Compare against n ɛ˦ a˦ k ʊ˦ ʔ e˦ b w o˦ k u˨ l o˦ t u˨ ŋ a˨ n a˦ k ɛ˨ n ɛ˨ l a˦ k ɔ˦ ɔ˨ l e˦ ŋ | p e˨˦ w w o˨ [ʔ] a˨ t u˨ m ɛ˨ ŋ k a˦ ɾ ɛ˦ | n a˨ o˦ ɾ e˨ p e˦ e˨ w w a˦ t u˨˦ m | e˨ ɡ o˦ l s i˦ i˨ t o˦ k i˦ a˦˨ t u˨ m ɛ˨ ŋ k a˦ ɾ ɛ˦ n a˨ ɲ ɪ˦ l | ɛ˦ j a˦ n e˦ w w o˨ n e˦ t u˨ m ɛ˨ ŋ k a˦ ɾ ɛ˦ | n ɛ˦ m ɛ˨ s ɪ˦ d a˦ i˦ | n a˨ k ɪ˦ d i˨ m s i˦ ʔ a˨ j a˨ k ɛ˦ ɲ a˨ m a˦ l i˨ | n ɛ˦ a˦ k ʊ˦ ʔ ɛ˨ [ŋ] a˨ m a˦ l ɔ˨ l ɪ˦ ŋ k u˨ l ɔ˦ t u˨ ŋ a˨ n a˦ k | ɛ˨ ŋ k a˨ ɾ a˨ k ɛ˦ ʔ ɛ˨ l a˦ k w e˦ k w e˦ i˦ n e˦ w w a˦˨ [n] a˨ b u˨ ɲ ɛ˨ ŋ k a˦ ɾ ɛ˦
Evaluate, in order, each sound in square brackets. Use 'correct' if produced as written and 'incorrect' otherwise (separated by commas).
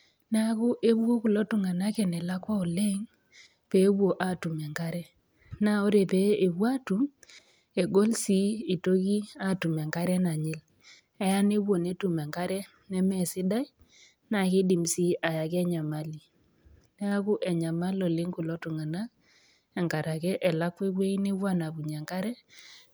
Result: correct, incorrect, correct